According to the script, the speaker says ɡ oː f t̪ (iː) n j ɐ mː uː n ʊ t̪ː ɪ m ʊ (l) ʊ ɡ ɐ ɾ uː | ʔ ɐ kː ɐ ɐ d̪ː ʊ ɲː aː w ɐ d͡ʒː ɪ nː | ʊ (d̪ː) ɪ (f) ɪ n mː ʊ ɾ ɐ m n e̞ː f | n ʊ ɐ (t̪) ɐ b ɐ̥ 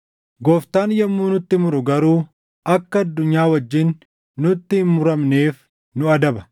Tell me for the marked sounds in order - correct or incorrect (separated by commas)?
incorrect, incorrect, incorrect, incorrect, incorrect